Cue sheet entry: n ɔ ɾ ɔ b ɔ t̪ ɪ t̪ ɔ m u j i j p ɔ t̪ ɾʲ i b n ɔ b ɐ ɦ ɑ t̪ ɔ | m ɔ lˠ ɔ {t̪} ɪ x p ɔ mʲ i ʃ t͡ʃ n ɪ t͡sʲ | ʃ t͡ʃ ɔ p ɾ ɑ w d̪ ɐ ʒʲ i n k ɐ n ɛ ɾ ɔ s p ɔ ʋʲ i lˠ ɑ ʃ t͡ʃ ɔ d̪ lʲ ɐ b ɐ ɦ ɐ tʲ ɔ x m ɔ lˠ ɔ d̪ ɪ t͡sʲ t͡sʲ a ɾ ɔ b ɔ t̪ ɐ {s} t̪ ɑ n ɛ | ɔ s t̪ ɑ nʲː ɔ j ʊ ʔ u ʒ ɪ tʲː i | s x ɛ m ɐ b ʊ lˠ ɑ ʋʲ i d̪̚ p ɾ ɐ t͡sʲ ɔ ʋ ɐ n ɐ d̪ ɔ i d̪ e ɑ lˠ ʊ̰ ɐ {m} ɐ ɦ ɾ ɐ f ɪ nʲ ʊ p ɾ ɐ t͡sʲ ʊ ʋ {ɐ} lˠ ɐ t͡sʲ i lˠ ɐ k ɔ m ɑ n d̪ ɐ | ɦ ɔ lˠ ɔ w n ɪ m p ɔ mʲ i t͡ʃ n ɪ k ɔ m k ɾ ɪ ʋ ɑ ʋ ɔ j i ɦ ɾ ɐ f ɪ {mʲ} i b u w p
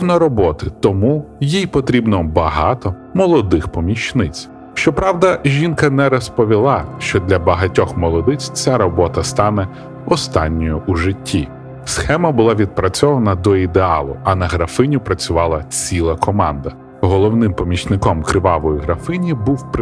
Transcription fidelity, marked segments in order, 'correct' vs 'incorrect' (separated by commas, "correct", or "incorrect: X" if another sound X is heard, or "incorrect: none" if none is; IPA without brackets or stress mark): incorrect: d̪, correct, incorrect: n, incorrect: ɑ, incorrect: nʲ